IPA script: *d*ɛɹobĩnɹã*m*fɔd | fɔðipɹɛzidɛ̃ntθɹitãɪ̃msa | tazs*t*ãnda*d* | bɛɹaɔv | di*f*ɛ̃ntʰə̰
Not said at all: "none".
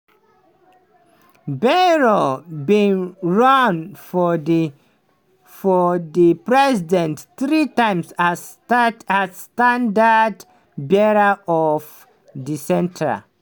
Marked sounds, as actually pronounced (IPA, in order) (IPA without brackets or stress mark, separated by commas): b, n, t, d, s